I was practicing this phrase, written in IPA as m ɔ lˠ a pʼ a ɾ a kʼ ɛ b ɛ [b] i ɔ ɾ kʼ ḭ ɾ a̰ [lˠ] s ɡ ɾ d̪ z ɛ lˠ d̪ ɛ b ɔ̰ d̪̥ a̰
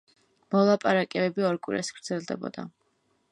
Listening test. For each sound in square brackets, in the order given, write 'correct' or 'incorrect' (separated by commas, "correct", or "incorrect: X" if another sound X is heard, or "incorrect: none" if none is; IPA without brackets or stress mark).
correct, incorrect: none